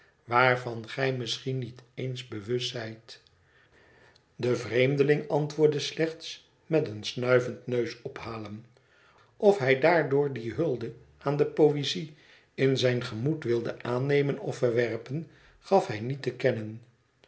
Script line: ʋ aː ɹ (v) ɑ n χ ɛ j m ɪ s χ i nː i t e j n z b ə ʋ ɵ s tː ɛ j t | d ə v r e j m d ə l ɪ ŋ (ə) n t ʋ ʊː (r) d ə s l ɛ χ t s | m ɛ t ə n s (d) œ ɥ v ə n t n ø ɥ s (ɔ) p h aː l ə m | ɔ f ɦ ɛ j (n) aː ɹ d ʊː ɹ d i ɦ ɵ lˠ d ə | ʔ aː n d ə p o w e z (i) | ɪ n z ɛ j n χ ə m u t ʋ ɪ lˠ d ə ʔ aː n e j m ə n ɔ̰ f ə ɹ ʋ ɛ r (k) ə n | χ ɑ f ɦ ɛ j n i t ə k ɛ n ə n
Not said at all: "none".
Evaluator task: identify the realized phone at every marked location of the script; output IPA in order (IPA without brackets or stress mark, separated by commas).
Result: v, ɑ, ɹ, n, ɔ, d, i, p